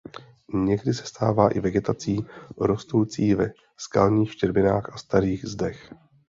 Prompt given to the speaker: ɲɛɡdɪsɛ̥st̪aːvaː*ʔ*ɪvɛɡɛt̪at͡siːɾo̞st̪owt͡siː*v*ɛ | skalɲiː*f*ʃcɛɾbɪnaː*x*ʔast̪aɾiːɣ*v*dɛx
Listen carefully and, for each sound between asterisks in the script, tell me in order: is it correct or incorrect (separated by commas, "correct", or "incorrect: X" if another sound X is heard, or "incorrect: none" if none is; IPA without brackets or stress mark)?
correct, correct, incorrect: x, correct, incorrect: z